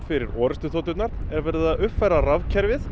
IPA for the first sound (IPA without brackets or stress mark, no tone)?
f